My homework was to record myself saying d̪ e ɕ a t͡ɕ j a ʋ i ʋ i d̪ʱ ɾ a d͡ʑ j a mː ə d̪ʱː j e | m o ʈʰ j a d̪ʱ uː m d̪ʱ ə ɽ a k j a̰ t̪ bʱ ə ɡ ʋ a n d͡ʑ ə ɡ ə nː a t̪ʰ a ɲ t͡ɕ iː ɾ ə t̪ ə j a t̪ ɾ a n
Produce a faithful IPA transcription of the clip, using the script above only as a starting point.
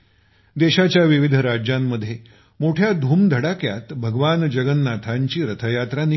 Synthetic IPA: d̪ e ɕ a t͡ɕ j a ʋ i ʋ i d̪ʱ ɾ a d͡ʑ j a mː ə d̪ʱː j e | m o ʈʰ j a d̪ʱ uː m d̪ʱ ə ɽ a k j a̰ t̪ bʱ ə ɡ ʋ a n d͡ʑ ə ɡ ə nː a t̪ʰ a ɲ t͡ɕ iː ɾ ə t̪ʰ ə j a t̪ ɾ a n